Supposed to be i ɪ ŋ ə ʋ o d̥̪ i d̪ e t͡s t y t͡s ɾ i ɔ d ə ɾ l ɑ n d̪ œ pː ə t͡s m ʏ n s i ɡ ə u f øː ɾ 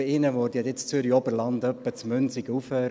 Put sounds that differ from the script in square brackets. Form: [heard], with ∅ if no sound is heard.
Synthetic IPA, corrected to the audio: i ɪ [n] ə ʋ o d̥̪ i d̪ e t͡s [t͡s] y [∅] ɾ i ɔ [b] ə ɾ l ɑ n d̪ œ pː ə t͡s m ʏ n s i ɡ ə u f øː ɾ